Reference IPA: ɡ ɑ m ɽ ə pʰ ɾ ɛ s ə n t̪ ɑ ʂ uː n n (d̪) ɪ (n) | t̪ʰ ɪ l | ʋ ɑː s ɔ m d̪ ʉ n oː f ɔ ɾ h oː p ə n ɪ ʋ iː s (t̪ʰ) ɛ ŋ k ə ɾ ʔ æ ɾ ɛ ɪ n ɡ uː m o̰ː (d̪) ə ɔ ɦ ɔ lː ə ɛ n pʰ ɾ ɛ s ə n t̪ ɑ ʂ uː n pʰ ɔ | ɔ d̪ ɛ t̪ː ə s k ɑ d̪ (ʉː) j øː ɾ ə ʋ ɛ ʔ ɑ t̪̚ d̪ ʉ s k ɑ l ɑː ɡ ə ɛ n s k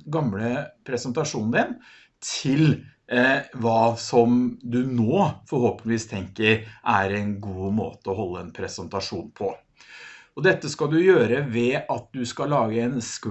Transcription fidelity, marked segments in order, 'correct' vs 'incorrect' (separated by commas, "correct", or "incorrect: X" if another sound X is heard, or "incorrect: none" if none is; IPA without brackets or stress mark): correct, correct, correct, incorrect: t̪, incorrect: ʉ